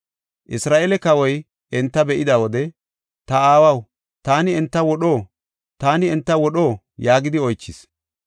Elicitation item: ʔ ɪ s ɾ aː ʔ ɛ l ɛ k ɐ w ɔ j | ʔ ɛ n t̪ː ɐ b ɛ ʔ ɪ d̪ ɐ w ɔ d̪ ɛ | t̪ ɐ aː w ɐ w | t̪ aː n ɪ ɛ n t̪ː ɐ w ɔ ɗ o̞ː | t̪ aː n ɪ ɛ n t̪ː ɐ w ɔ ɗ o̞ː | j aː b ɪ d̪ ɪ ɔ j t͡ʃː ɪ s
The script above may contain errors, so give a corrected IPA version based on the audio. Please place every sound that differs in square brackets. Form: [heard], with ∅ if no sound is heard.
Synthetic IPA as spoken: ʔ ɪ s ɾ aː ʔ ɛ l ɛ k ɐ w ɔ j | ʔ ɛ n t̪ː ɐ b ɛ ʔ ɪ d̪ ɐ w ɔ d̪ ɛ | t̪ ɐ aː w ɐ w | t̪ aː n ɪ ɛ n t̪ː ɐ w ɔ ɗ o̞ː | t̪ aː n ɪ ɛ n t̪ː ɐ w ɔ ɗ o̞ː | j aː [ɡ] ɪ d̪ ɪ ɔ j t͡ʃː ɪ s

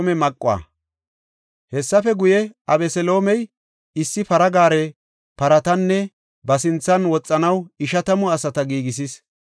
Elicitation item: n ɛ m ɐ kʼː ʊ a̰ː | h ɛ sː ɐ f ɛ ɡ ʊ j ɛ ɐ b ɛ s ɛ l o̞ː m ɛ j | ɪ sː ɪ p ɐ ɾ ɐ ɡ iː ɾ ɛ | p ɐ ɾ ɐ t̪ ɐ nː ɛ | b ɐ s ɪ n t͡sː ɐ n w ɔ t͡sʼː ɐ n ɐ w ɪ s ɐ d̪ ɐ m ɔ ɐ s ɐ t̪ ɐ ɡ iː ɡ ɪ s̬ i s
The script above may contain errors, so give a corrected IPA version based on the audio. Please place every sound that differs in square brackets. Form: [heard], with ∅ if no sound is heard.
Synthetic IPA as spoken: [m] ɛ m ɐ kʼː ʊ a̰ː | h ɛ sː ɐ f ɛ ɡ ʊ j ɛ ɐ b ɛ s ɛ l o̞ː m ɛ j | ɪ sː ɪ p ɐ ɾ ɐ ɡ [aː] ɾ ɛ | p ɐ ɾ ɐ t̪ ɐ nː ɛ | b ɐ s ɪ n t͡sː ɐ n w ɔ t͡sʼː ɐ n ɐ w ɪ [ʃ] ɐ [t̪] ɐ m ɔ ɐ s ɐ t̪ ɐ ɡ iː ɡ ɪ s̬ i s

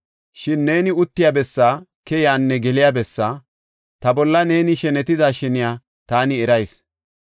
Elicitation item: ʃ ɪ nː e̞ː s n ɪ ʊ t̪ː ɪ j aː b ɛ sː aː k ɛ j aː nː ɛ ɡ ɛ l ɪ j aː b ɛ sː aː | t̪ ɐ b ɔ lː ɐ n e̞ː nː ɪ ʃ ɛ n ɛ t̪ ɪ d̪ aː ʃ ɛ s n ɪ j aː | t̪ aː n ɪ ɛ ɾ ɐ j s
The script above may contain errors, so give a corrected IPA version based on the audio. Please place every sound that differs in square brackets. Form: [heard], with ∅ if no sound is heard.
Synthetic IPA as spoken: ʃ ɪ nː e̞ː [∅] n ɪ ʊ t̪ː ɪ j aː b ɛ sː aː k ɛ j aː nː ɛ ɡ ɛ l ɪ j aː b ɛ sː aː | t̪ ɐ b ɔ lː ɐ n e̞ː [n] ɪ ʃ ɛ n ɛ t̪ ɪ d̪ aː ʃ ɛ [∅] n ɪ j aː | t̪ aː n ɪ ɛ ɾ ɐ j s

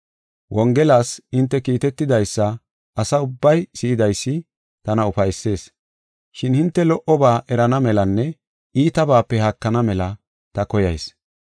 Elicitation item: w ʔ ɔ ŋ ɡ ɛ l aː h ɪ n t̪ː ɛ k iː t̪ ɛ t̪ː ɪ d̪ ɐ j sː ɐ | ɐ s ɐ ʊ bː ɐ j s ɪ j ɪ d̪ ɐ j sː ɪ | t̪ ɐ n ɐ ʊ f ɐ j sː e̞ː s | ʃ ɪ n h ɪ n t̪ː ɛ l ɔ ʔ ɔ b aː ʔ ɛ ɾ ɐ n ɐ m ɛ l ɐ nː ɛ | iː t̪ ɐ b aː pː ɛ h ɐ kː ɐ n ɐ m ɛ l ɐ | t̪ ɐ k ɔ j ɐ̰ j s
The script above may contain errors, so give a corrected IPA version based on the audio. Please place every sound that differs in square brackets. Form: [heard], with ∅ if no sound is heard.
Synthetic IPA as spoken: w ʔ ɔ ŋ ɡ ɛ l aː [s] ɪ n t̪ː ɛ k iː t̪ ɛ t̪ː ɪ d̪ ɐ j sː ɐ | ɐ s ɐ ʊ bː ɐ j s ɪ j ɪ d̪ ɐ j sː ɪ | t̪ ɐ n ɐ ʊ f ɐ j sː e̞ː s | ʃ ɪ n h ɪ n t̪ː ɛ l ɔ ʔ ɔ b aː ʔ ɛ ɾ ɐ n ɐ m ɛ l ɐ nː ɛ | iː t̪ ɐ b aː pː ɛ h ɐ kː ɐ n ɐ m ɛ l ɐ | t̪ ɐ k ɔ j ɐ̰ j s

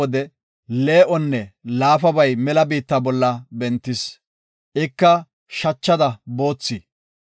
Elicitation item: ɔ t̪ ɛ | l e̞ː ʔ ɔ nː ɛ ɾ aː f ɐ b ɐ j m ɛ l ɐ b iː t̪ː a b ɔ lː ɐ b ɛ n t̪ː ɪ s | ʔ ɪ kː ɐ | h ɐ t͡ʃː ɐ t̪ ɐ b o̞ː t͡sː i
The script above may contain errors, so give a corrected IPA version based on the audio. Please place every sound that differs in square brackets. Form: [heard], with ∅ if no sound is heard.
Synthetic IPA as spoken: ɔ [d̪] ɛ | l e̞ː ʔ ɔ nː ɛ [l] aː f ɐ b ɐ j m ɛ l ɐ b iː t̪ː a b ɔ lː ɐ b ɛ n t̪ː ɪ s | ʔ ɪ kː ɐ | [ʃ] ɐ t͡ʃː ɐ [d̪] ɐ b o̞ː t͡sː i

